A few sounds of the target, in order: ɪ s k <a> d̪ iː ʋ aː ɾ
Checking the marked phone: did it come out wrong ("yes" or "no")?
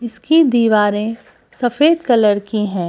yes